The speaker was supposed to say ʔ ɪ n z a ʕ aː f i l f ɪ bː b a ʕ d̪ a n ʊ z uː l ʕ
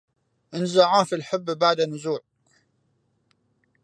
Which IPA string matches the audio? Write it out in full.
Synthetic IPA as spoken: ʔ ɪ n z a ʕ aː f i l ħ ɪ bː b a ʕ d̪ a n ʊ z uː ʕ